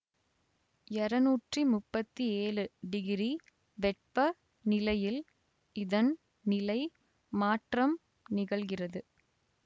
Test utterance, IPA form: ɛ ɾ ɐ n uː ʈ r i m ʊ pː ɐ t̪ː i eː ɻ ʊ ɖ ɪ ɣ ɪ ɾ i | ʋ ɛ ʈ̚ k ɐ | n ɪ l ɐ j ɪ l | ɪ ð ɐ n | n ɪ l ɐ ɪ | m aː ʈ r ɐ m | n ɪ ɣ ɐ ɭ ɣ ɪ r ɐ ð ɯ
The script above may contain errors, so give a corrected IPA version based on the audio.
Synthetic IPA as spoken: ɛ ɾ ɐ n uː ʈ r i m ʊ pː ɐ t̪ː i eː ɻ ɯ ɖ ɪ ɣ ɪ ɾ i | ʋ ɛ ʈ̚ p ɐ | n ɪ l ɐ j ɪ l | ɪ ð ɐ n | n ɪ l ɐ ɪ | m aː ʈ r ɐ m | n ɪ ɣ ɐ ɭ ɣ ɪ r ɐ ð ɯ